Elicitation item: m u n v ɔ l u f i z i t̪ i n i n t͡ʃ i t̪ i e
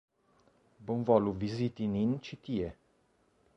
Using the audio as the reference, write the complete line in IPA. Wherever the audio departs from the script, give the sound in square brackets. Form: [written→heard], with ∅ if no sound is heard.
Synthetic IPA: [m→b] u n v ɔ l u [f→v] i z i t̪ i n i n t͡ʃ i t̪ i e